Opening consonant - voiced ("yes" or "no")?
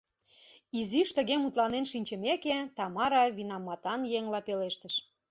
yes